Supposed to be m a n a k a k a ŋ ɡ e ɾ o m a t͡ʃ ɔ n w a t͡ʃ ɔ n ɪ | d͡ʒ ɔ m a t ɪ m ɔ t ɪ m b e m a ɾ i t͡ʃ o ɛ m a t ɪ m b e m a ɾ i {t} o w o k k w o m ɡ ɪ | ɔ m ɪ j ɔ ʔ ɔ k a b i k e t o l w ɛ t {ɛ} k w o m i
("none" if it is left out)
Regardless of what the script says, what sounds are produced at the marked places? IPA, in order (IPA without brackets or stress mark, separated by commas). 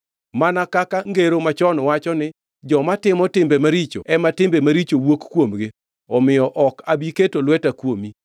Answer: t͡ʃ, a